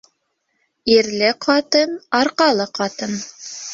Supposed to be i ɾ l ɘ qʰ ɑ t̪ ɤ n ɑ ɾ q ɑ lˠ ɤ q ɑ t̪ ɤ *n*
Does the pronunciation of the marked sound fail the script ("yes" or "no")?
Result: no